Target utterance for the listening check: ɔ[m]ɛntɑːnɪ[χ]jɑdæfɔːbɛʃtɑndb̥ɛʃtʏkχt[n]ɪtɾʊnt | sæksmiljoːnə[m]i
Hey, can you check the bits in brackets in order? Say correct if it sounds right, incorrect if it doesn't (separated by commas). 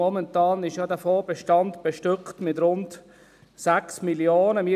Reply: correct, incorrect, incorrect, correct